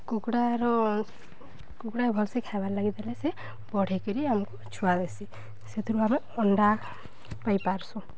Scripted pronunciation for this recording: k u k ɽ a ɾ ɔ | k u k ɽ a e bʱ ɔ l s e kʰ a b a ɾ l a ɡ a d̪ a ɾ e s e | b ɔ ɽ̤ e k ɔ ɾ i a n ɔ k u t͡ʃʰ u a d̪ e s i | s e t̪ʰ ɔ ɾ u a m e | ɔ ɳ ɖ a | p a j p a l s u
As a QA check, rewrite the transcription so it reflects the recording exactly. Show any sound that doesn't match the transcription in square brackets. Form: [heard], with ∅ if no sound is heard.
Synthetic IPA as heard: k u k ɽ a ɾ ɔ | k u k ɽ a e bʱ ɔ l s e kʰ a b a ɾ l a ɡ [i] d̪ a [l] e s e | b ɔ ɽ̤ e k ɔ ɾ i a [m] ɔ k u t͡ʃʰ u a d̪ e s i | s e t̪ʰ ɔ ɾ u a m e | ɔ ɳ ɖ a | p a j p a [ɾ] s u